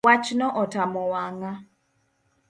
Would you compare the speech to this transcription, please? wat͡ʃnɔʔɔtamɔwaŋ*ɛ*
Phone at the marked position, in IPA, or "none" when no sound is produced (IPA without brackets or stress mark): a